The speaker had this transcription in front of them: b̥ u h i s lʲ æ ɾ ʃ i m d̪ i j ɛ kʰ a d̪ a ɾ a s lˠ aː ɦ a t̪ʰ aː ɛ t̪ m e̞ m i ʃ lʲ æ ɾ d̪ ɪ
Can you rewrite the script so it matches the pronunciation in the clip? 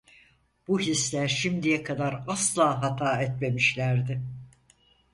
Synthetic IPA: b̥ u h i s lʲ æ ɾ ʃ i m d̪ i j ɛ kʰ a d̪ a ɾ a s lˠ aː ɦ a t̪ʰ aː ɛ t̪ m e̞ m i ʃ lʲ æ ɾ d̪ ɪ